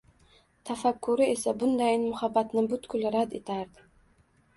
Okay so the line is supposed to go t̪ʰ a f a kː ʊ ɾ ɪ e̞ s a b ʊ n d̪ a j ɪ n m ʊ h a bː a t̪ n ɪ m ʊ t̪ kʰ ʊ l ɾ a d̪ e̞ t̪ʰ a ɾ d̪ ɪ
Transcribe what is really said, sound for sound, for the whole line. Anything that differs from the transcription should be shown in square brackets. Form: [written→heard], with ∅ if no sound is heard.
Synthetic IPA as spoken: t̪ʰ a f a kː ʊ ɾ ɪ e̞ s a b ʊ n d̪ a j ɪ n m ʊ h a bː a t̪ n ɪ [m→b] ʊ t̪ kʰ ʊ l ɾ a d̪ e̞ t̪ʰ a ɾ d̪ ɪ